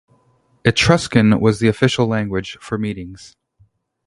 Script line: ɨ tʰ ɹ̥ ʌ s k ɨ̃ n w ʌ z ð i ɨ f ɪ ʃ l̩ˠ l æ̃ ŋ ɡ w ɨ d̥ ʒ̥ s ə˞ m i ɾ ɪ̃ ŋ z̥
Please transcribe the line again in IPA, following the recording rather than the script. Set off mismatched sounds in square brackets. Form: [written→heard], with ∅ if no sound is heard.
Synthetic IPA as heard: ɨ tʰ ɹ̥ ʌ s k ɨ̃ n w ʌ z ð i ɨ f ɪ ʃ l̩ˠ l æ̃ ŋ ɡ w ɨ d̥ ʒ̥ [s→f] ə˞ m i ɾ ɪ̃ ŋ z̥